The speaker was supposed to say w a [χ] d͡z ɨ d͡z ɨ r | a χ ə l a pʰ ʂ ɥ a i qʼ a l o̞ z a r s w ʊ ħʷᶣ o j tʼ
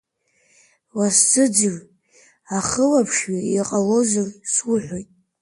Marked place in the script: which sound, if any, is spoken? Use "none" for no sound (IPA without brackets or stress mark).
s